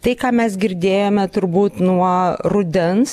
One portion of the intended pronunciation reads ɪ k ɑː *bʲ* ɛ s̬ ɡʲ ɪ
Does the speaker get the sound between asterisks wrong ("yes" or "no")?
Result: yes